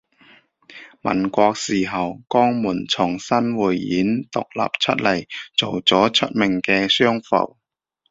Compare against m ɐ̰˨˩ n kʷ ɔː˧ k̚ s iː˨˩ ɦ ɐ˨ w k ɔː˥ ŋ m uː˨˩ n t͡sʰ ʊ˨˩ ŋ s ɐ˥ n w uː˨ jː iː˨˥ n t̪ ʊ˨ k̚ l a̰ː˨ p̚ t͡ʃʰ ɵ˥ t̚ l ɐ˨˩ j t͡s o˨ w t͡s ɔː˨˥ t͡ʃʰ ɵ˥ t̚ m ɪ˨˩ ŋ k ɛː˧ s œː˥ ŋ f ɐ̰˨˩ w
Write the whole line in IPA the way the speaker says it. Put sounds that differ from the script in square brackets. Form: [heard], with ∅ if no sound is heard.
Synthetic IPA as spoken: m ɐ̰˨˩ n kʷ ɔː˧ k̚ s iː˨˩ ɦ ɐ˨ w k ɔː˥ ŋ m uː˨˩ n t͡sʰ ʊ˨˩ ŋ s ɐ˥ n w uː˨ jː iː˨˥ n t̪ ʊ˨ k̚ l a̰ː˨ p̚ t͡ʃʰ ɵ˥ t̚ l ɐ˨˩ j t͡s o˨ w t͡s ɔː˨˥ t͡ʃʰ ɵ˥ t̚ m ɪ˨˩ ŋ k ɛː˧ s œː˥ ŋ f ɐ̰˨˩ w